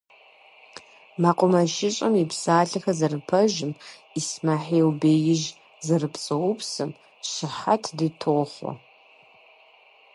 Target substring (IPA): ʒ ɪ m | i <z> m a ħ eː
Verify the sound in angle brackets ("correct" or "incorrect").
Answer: incorrect